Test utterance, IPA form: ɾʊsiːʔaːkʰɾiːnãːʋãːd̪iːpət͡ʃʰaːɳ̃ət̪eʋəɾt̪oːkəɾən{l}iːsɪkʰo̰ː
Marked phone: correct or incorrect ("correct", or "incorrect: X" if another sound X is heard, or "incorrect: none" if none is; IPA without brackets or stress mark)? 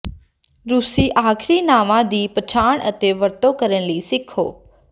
correct